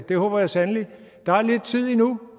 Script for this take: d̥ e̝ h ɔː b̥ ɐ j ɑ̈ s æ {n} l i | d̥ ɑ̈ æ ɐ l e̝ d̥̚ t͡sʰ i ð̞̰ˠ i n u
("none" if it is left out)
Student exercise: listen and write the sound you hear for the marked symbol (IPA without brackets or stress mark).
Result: n